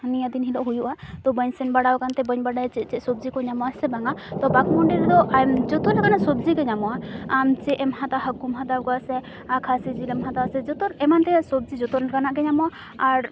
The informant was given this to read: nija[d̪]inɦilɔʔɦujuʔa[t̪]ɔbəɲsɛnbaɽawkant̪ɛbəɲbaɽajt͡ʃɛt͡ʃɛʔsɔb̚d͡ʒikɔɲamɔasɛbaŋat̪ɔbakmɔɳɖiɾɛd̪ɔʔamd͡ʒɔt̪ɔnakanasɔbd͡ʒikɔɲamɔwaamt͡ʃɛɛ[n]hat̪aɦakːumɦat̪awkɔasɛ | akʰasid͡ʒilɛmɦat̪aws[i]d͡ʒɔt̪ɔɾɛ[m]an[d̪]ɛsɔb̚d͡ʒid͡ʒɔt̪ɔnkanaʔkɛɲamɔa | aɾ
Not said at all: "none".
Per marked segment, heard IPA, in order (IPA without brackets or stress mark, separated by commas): d̪, t̪, m, ɛ, m, t̪